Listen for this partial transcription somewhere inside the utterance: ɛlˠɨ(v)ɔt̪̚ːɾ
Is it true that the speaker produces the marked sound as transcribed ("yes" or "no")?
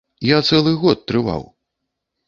no